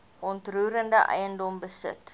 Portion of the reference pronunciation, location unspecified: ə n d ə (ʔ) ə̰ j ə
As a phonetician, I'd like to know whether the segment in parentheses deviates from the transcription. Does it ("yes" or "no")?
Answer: no